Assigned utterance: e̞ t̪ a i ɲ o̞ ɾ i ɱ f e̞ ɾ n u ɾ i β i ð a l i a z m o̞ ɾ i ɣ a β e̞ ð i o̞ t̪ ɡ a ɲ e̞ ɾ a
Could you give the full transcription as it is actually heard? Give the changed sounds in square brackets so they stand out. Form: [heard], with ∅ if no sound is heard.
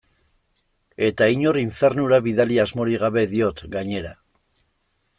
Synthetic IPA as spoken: e̞ t̪ a i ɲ o̞ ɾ i ɱ f e̞ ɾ n u ɾ [a] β i ð a l i a z m o̞ ɾ i ɣ a β e̞ ð i o̞ t̪ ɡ a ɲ e̞ ɾ a